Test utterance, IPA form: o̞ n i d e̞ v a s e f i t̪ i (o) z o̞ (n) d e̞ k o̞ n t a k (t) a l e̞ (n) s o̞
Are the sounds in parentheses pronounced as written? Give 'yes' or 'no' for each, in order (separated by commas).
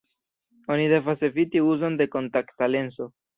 no, yes, yes, yes